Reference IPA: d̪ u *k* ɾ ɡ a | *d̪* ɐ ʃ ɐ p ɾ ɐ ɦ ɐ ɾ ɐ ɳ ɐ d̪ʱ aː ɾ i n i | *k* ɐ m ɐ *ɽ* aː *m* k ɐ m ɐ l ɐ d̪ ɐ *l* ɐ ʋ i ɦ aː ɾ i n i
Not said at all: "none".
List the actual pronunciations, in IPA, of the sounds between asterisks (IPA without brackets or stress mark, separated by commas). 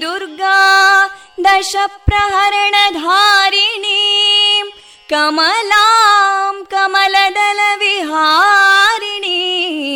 none, d̪, k, l, m, l